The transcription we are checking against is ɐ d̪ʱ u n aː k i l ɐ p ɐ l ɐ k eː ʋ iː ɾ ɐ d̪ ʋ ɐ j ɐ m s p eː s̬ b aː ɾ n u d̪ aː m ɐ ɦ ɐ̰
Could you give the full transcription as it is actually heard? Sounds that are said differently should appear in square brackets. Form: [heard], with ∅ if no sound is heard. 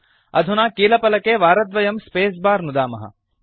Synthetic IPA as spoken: ɐ d̪ʱ u n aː k [iː] l ɐ p ɐ l ɐ k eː ʋ [aː] ɾ ɐ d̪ ʋ ɐ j ɐ m s p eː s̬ b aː ɾ n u d̪ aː m ɐ ɦ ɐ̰